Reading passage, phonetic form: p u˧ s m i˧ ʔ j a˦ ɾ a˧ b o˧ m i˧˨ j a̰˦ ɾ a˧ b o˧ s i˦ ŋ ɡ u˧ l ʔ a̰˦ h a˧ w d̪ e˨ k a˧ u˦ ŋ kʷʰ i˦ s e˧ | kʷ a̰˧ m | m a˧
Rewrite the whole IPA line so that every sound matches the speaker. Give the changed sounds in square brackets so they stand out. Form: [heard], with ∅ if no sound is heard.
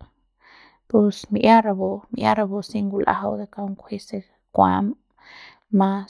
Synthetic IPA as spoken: p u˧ s m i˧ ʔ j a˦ ɾ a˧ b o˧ m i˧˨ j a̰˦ ɾ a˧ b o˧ s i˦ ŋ ɡ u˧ l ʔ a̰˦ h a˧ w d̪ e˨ k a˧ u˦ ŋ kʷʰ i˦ s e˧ | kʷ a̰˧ m | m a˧